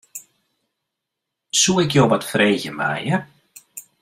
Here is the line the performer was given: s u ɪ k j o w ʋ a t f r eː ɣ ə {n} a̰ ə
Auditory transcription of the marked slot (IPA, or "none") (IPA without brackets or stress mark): m